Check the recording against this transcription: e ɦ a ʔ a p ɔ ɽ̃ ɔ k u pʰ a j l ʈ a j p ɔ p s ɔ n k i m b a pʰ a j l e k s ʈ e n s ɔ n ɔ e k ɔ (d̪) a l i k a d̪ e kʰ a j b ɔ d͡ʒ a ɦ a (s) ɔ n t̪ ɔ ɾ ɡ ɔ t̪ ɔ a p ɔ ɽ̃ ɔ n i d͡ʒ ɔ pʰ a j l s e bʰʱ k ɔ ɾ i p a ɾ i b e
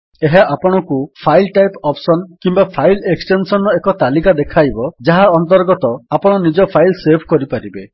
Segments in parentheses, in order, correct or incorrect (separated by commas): incorrect, incorrect